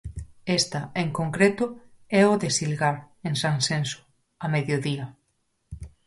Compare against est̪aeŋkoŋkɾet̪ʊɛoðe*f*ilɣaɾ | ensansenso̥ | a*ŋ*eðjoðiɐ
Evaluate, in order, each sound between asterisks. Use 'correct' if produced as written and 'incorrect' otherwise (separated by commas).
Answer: incorrect, incorrect